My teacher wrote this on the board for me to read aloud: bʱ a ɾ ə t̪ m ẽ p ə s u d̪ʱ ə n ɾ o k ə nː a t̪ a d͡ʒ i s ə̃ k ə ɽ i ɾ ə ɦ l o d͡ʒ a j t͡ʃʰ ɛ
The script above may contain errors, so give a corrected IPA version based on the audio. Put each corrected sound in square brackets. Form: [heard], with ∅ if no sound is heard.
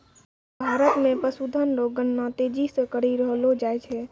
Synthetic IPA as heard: bʱ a ɾ ə t̪ m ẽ p ə s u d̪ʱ ə n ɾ o [ɡ] ə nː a t̪ [e] d͡ʒ i s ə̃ k ə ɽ i ɾ ə ɦ l o d͡ʒ a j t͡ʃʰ ɛ